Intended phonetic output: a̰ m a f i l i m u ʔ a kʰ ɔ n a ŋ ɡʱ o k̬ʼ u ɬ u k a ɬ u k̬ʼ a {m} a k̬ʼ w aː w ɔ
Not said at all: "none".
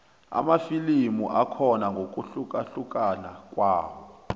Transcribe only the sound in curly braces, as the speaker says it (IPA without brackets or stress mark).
n